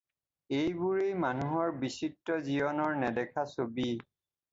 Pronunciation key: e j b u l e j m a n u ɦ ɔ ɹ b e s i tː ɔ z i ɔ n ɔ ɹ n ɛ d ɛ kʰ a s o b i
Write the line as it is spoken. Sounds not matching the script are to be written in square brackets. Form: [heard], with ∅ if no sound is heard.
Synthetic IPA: e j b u [ɹ] e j m a n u ɦ ɔ ɹ b [i] s i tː ɔ z i ɔ n ɔ ɹ n ɛ d ɛ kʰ a s o b i